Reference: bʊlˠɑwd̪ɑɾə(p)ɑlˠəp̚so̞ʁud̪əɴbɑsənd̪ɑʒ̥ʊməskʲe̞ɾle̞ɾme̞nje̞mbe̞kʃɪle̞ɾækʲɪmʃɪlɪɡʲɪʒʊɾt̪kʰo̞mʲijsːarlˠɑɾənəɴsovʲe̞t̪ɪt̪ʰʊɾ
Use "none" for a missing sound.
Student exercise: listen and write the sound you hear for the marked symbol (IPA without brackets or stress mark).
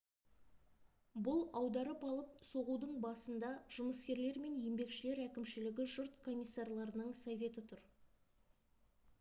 p